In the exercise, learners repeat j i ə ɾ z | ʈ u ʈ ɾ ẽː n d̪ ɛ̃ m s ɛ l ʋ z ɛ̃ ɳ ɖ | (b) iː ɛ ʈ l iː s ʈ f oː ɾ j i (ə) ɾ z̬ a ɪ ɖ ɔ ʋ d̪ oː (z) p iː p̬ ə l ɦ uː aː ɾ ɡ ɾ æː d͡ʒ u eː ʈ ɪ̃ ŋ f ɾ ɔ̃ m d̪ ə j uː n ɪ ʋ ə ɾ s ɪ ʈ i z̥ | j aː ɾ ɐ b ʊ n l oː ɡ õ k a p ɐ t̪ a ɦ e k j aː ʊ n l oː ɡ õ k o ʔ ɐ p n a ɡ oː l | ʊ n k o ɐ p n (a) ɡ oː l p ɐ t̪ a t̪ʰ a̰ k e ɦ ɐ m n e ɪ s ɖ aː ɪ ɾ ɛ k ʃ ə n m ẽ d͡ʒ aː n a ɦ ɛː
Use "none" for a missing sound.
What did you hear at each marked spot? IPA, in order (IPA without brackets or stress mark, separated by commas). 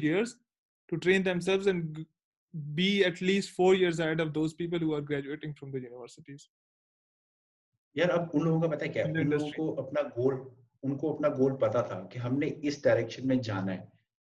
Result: b, ə, z, a